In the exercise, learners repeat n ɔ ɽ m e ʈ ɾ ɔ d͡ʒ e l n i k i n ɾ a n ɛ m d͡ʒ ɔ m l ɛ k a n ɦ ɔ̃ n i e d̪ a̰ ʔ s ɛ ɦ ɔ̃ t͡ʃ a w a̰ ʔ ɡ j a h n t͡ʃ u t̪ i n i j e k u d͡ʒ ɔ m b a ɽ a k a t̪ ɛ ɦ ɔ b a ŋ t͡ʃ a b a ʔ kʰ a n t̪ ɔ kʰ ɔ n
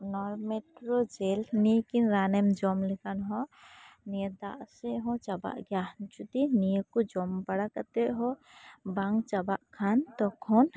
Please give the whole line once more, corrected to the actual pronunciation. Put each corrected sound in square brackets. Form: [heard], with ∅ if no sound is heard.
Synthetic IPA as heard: n ɔ [ɾ] m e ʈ ɾ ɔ d͡ʒ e l n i k i n ɾ a n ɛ m d͡ʒ ɔ m l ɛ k a n ɦ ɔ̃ n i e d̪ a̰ ʔ s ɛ ɦ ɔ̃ t͡ʃ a [b] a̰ ʔ ɡ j a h n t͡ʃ u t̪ i n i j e k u d͡ʒ ɔ m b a ɽ a k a t̪ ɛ ɦ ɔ b a ŋ t͡ʃ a b a ʔ kʰ a n t̪ ɔ kʰ ɔ n